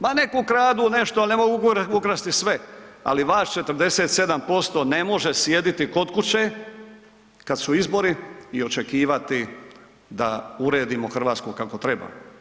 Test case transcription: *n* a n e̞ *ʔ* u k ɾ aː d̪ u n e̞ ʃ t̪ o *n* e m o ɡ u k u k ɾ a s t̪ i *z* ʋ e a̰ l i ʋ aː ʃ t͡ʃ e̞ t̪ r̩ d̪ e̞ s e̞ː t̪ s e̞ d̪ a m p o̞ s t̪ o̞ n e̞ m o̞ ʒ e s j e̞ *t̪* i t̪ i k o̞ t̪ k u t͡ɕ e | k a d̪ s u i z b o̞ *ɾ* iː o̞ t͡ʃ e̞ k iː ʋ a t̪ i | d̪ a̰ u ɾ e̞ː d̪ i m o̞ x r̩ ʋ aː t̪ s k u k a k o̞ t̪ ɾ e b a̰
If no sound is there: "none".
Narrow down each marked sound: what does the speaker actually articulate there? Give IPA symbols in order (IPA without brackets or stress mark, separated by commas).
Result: m, k, n, s, d̪, ɾ